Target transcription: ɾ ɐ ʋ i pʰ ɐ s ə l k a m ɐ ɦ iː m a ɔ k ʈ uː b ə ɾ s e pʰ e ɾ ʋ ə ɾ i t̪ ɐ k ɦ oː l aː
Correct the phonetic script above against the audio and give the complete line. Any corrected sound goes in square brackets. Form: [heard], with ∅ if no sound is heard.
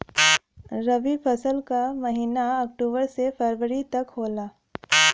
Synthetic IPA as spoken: ɾ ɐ ʋ i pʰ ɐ s ə l k a m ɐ ɦ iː [n] a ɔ k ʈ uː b ə ɾ s e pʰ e ɾ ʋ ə ɾ i t̪ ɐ k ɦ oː l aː